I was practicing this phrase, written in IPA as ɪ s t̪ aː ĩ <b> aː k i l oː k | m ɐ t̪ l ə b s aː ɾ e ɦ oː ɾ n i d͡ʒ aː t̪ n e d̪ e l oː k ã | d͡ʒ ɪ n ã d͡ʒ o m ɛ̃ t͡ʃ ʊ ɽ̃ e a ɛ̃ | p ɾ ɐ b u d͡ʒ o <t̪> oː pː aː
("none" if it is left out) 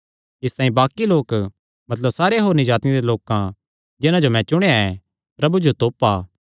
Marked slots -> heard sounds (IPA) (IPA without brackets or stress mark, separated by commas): b, t̪